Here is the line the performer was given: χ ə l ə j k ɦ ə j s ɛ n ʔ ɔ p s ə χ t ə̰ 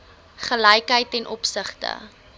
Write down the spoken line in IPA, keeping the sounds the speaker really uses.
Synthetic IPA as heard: χ ə l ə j k ɦ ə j t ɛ n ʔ ɔ p s ə χ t ə̰